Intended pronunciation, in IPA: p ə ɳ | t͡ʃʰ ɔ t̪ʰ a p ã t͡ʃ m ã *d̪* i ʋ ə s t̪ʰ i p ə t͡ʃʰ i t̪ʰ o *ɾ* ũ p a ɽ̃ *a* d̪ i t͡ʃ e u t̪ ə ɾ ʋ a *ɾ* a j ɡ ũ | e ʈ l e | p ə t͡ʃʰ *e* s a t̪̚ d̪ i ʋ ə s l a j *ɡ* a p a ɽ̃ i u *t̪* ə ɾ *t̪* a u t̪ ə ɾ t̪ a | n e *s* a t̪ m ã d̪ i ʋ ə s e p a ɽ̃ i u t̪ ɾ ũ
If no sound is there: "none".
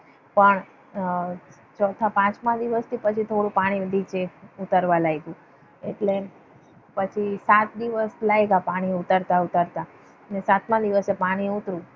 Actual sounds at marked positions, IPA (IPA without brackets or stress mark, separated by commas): d̪, ɽ, i, l, i, ɡ, t̪, t̪, s